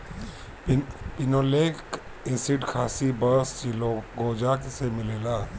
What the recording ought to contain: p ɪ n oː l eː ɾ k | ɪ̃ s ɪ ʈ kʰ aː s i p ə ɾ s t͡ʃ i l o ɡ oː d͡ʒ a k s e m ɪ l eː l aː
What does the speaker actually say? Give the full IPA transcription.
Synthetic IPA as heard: p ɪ n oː l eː k | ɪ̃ s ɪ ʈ kʰ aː s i b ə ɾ s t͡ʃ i l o ɡ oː d͡ʒ a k s e m ɪ l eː l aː